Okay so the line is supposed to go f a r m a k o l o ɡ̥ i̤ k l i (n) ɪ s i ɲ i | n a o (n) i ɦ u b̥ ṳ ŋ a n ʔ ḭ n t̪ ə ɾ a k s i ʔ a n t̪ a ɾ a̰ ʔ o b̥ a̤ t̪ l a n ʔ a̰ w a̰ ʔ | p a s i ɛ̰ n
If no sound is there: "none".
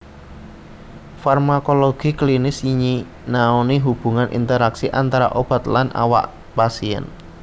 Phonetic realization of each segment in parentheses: n, n

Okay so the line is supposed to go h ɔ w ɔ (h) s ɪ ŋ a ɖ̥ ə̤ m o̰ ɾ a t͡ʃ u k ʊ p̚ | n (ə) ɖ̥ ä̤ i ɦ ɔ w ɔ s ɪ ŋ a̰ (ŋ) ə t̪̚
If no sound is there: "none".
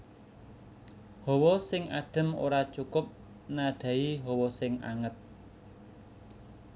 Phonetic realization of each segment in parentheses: none, a, ŋ

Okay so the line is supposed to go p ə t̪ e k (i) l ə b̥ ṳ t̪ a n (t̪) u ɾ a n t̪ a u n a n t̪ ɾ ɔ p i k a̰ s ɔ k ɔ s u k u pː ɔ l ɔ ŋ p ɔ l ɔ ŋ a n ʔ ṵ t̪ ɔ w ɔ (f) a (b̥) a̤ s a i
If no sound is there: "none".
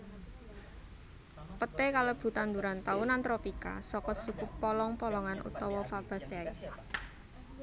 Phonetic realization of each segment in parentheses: a, d̪, f, b̥

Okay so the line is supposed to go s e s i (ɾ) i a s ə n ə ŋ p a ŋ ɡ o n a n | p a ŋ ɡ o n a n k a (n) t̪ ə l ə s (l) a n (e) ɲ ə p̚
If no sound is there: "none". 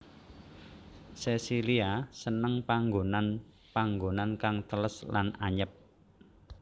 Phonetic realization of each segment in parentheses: l, ŋ, l, a

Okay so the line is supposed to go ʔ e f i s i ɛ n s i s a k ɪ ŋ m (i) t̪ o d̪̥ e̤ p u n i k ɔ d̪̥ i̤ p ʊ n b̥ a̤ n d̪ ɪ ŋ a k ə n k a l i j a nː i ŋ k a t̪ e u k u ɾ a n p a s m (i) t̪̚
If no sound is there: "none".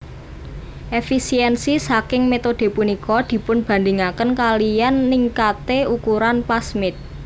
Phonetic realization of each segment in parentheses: e, ɪ

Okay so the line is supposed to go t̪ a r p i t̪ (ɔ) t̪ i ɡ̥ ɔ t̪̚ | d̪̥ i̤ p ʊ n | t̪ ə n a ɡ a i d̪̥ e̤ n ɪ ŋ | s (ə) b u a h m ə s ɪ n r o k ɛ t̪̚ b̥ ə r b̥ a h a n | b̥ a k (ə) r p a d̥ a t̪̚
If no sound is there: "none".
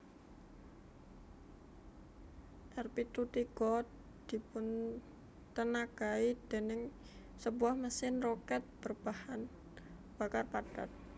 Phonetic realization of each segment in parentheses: u, ə, a

